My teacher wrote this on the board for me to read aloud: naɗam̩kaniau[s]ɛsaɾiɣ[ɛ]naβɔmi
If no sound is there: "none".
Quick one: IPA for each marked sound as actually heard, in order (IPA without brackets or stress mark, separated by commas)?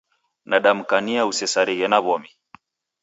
s, ɛ